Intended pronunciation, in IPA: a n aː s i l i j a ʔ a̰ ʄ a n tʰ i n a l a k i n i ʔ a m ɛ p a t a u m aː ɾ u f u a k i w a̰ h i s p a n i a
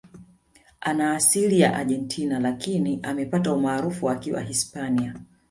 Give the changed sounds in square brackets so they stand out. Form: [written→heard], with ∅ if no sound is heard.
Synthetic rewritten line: a n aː s i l i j a ʔ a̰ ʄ [a→ɛ] n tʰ i n a l a k i n i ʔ a m ɛ p a t a u m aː ɾ u f u a k i w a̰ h i s p a n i a